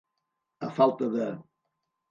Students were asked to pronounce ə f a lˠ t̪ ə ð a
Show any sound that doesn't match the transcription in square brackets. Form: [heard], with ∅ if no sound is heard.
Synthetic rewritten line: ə f a lˠ t̪ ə ð [ə]